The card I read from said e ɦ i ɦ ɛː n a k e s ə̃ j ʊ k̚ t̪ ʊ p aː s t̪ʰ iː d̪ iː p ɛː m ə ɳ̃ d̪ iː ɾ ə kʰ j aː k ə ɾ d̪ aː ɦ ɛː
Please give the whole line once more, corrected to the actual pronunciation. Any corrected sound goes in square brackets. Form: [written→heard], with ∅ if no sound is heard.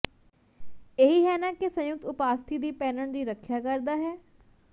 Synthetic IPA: e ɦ i ɦ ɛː n a k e s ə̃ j ʊ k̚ t̪ ʊ p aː s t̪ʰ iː d̪ iː p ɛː [m→n] ə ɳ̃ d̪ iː ɾ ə kʰ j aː k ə ɾ d̪ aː ɦ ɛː